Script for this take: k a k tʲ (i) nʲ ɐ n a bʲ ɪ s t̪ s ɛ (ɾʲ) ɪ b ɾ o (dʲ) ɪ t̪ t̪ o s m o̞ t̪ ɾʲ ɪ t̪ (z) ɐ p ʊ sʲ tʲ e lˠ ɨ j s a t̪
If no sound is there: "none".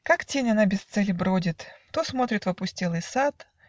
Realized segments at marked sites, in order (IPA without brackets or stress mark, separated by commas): e, lʲ, dʲ, v